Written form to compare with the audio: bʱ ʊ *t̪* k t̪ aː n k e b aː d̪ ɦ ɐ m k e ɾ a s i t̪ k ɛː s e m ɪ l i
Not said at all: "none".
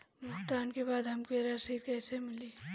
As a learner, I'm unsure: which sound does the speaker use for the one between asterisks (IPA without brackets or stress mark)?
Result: none